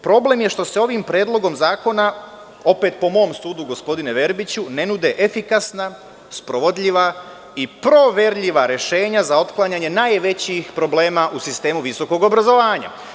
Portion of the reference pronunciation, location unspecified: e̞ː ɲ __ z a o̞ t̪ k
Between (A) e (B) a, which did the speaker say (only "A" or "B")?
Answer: B